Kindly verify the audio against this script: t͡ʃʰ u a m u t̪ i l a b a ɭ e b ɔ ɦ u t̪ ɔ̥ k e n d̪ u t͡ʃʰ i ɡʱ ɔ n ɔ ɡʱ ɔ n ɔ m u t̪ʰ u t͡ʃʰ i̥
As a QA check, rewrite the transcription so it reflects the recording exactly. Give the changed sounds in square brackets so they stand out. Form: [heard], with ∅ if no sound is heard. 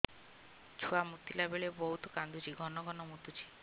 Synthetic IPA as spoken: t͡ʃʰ u a m u t̪ i l a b [e] ɭ e b ɔ ɦ u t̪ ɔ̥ k [a] n d̪ u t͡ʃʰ i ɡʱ ɔ n ɔ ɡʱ ɔ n ɔ m u [t̪] u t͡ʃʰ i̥